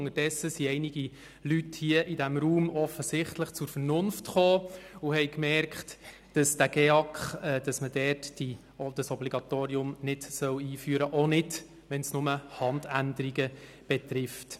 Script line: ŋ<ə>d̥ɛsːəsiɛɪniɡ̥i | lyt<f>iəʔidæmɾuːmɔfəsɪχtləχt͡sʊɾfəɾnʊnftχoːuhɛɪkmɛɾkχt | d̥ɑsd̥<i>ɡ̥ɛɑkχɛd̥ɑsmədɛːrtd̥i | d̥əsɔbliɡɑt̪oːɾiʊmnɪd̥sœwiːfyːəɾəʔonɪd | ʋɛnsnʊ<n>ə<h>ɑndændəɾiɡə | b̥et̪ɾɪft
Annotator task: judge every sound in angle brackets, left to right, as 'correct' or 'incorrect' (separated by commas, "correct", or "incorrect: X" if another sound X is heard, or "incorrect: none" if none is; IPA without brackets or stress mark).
correct, incorrect: h, incorrect: æ, incorrect: m, correct